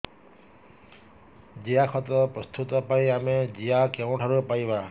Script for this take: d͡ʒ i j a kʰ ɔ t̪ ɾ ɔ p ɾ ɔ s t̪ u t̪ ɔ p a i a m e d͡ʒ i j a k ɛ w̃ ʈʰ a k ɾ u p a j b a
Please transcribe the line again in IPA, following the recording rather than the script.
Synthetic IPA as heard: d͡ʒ i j a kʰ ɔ t̪ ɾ ɔ p ɾ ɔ s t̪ u t̪ ɔ p a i a m e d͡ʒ i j a k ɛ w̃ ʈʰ a ɾ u p a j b a